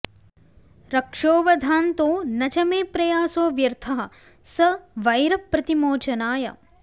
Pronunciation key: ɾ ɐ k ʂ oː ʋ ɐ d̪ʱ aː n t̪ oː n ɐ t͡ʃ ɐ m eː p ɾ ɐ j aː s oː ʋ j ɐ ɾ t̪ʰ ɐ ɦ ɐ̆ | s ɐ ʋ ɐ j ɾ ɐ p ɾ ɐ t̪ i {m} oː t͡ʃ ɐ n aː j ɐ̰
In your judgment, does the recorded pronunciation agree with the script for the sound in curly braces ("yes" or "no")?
yes